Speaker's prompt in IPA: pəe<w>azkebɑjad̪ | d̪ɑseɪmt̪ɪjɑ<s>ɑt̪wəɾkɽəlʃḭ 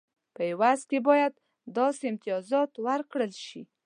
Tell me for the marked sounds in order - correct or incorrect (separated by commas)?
correct, incorrect